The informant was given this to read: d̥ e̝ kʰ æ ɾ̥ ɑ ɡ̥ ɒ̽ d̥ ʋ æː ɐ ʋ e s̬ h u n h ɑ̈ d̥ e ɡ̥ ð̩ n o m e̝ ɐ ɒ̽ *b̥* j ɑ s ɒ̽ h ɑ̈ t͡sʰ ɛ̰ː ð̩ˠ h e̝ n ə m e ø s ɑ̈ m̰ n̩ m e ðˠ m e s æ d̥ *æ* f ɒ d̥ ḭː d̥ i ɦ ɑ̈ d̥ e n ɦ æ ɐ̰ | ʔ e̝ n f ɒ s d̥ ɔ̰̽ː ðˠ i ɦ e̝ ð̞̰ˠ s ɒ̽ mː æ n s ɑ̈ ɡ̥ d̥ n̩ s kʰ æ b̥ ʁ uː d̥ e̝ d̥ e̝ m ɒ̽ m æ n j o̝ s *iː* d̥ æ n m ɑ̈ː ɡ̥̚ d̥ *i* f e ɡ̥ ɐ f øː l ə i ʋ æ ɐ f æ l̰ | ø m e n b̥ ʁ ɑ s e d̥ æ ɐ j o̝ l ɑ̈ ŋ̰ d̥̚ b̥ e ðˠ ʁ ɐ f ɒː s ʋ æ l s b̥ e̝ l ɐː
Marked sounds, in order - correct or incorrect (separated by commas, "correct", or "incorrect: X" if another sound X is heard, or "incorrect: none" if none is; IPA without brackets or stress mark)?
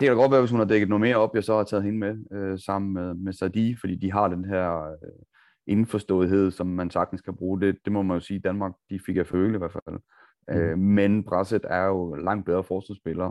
correct, incorrect: i, correct, correct